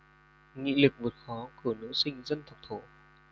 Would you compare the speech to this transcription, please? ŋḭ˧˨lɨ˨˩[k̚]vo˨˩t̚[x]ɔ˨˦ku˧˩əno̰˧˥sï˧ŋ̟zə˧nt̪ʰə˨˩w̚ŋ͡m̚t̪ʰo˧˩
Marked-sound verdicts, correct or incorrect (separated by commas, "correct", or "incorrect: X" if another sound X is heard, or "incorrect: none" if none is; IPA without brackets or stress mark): correct, correct